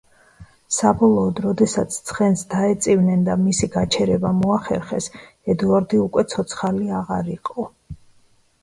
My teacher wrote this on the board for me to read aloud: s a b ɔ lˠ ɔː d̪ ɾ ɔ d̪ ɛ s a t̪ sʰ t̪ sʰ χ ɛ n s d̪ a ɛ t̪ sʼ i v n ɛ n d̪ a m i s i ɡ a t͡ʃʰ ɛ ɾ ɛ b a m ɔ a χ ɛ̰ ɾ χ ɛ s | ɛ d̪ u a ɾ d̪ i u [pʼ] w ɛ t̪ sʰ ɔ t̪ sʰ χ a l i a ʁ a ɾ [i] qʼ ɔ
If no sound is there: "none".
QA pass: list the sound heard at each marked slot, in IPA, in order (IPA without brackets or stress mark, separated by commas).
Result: kʼ, i